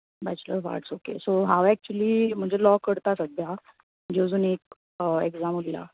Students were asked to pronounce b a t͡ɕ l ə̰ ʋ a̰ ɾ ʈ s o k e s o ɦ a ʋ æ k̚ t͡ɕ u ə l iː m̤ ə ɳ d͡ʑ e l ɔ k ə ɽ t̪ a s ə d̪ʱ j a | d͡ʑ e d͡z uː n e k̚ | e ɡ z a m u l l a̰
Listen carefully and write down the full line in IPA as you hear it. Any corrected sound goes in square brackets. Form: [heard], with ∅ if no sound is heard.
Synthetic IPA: b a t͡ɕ l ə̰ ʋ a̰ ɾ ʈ s o k e s o ɦ a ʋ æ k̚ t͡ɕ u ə l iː m̤ ə ɳ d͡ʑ e l ɔ k ə ɽ t̪ a s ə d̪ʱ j a | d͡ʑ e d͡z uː n e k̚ | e ɡ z a m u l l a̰